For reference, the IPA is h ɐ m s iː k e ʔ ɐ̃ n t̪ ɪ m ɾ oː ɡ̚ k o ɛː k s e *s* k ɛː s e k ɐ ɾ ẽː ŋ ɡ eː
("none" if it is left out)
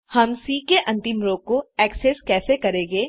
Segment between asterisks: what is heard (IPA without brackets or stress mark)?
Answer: s